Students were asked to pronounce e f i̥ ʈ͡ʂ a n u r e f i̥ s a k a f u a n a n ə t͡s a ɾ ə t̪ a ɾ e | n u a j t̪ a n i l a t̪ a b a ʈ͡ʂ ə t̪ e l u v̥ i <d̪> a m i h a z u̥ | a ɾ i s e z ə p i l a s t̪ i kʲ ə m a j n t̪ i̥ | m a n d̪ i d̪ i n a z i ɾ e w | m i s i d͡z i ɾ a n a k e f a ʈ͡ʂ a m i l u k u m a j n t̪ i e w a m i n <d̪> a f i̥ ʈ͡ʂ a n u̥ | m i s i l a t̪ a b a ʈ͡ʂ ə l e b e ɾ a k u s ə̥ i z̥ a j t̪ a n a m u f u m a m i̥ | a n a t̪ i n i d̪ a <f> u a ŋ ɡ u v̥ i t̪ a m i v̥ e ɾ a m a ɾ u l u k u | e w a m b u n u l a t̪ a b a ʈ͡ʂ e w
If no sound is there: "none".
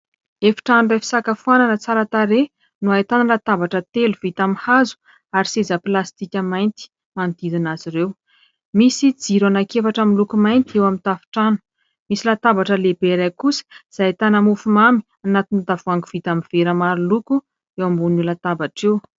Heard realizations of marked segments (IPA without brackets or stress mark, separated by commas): t̪, t̪, v